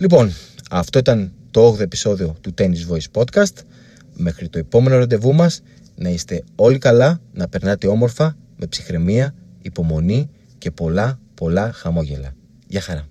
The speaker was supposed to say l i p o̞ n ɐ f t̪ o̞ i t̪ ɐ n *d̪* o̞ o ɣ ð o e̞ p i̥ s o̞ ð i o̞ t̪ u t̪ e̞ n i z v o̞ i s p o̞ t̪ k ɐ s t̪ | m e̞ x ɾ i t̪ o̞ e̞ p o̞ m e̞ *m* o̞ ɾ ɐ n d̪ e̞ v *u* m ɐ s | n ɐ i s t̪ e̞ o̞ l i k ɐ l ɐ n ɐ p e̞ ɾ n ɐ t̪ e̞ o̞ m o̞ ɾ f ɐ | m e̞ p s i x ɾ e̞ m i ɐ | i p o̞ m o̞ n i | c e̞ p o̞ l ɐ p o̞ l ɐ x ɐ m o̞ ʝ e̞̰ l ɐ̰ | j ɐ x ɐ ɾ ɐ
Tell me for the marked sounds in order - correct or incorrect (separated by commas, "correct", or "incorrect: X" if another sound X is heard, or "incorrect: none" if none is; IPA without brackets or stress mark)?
incorrect: t̪, incorrect: n, correct